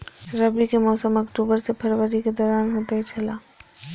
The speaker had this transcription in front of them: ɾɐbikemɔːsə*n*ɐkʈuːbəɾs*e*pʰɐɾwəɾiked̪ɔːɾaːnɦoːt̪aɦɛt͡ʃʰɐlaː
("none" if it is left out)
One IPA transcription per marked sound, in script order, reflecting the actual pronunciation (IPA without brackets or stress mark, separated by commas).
m, e